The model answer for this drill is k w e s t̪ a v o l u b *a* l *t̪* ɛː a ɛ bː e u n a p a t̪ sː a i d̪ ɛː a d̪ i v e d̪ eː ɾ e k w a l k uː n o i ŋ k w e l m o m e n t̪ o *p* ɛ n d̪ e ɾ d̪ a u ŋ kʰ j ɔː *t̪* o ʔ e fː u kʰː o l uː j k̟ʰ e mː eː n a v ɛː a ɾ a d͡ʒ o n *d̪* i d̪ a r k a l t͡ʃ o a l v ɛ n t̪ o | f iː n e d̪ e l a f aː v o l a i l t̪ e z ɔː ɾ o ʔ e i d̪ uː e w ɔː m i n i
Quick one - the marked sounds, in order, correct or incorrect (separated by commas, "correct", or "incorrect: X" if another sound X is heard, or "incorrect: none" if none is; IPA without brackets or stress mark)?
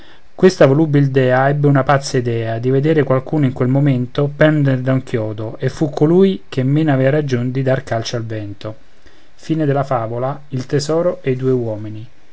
incorrect: i, incorrect: d̪, correct, incorrect: d̪, correct